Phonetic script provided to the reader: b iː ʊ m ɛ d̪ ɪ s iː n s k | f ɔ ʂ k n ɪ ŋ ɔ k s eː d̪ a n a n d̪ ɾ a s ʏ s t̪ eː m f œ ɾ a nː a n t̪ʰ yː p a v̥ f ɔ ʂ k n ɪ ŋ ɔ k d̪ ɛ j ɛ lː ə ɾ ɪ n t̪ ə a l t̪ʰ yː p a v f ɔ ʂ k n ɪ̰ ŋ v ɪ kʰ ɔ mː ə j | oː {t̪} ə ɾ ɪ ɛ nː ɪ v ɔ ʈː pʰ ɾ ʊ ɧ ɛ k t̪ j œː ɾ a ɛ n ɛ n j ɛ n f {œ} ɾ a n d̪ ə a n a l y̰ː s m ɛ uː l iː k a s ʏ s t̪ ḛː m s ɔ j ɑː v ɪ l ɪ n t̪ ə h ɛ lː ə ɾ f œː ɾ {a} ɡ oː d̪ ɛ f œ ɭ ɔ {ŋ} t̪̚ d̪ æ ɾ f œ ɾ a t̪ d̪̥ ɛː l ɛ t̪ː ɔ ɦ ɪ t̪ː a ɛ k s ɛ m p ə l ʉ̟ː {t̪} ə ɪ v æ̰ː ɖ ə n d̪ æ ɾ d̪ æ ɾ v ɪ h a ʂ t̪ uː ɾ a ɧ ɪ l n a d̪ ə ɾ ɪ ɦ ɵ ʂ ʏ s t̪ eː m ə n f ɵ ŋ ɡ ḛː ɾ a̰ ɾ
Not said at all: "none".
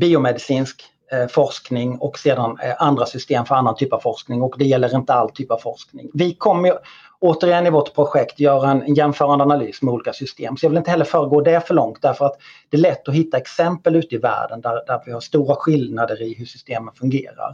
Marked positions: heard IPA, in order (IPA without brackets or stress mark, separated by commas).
t̪, œː, ə, ŋ, t̪